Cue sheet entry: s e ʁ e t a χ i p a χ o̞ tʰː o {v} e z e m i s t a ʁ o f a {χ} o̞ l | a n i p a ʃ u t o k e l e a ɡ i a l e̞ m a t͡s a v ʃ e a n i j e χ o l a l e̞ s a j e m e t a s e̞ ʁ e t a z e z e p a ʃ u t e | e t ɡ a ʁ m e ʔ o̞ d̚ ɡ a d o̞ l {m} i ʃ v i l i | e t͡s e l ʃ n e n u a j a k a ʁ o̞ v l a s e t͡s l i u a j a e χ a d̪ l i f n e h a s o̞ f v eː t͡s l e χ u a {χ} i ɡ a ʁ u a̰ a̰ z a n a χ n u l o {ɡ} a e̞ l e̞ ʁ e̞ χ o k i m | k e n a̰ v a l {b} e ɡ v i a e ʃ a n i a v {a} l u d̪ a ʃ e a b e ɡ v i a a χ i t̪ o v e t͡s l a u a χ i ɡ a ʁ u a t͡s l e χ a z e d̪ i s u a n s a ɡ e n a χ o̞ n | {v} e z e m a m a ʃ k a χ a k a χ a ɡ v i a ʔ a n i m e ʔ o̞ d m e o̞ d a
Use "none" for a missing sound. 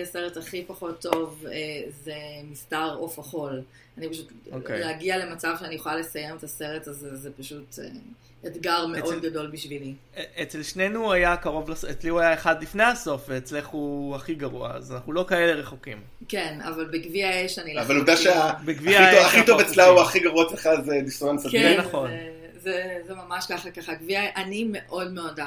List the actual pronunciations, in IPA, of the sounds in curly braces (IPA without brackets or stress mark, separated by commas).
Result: v, χ, b, χ, k, b, a, z